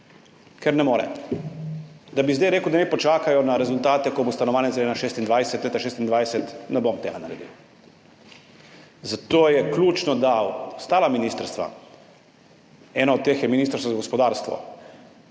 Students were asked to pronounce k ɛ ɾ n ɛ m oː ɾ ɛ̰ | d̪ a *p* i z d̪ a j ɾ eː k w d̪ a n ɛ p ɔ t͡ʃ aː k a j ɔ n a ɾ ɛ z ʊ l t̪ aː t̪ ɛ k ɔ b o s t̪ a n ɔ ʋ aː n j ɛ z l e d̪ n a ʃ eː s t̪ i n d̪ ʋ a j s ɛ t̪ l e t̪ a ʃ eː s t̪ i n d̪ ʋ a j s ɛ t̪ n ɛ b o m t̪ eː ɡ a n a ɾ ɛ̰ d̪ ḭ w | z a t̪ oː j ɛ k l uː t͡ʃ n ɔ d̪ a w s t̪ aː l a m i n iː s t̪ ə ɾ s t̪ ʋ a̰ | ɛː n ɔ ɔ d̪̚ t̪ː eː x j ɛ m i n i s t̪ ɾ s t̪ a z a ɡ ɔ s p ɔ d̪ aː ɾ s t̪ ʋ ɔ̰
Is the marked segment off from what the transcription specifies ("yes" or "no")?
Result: yes